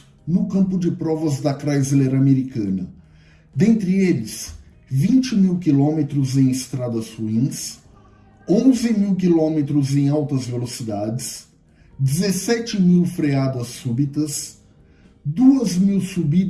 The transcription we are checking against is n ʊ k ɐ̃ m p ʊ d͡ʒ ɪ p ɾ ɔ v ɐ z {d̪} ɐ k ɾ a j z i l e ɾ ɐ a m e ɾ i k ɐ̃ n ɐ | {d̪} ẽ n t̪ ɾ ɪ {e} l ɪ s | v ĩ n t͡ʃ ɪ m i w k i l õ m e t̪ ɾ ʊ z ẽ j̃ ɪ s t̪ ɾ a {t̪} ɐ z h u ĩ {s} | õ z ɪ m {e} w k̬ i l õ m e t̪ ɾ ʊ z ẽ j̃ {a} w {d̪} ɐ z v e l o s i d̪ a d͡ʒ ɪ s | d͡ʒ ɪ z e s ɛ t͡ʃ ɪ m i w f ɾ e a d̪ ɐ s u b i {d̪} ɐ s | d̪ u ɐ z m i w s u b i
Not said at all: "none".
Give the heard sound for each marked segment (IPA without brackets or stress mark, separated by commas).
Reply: d̪, d̪, e, d̪, s, i, a, t̪, t̪